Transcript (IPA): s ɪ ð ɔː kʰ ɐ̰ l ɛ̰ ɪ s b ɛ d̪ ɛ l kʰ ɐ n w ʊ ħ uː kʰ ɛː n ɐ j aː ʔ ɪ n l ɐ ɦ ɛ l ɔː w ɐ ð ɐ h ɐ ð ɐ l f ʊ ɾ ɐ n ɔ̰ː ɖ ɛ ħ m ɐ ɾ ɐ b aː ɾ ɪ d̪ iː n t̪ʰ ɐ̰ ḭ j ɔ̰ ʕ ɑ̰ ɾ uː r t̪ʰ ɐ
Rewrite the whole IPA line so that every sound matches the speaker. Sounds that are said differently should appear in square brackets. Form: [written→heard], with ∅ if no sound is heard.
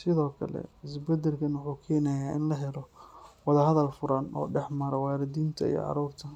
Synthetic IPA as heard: s ɪ ð ɔː kʰ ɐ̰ l ɛ̰ ɪ s b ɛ d̪ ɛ l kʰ ɐ n w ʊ ħ uː kʰ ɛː n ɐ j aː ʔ ɪ n l ɐ ɦ ɛ l [ɔː→ɔ] w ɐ ð ɐ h ɐ ð ɐ l f ʊ ɾ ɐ n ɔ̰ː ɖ ɛ ħ m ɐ ɾ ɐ [b→w] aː ɾ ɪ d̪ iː n t̪ʰ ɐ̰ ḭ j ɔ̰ ʕ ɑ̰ ɾ uː r t̪ʰ ɐ